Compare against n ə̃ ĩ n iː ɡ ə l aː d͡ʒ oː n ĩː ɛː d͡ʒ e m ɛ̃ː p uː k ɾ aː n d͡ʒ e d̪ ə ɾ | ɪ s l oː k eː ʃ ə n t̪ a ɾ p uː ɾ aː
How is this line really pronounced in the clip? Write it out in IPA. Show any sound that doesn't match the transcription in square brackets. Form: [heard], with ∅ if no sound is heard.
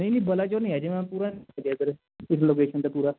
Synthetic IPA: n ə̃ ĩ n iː [b] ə l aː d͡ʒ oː n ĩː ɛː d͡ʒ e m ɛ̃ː p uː [∅] ɾ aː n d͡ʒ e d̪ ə ɾ | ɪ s l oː k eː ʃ ə n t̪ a [∅] p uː ɾ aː